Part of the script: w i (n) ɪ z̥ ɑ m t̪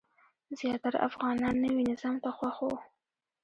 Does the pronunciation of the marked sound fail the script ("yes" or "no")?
no